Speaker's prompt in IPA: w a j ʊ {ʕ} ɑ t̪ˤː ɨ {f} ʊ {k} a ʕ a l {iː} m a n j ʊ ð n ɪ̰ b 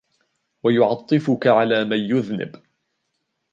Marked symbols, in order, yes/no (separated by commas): yes, yes, yes, no